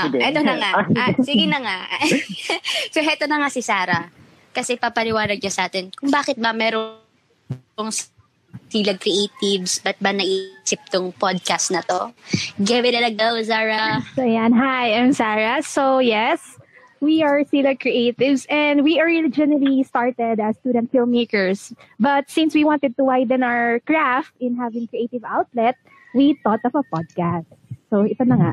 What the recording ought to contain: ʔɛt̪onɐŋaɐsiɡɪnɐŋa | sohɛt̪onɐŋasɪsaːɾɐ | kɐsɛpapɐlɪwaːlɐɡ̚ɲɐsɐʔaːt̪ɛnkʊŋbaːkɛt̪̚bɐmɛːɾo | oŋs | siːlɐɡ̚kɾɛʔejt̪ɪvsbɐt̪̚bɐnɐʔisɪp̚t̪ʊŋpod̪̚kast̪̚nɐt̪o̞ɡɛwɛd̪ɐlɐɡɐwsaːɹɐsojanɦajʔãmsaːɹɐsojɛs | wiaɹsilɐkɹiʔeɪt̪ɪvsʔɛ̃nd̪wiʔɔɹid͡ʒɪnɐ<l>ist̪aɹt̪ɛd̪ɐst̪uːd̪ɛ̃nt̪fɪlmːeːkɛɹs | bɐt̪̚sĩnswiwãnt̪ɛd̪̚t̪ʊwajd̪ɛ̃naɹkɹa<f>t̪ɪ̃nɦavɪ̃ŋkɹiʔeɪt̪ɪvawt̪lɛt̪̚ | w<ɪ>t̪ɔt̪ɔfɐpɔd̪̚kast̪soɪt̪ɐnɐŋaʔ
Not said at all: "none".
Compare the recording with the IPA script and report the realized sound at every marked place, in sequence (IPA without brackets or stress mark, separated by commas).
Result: l, f, i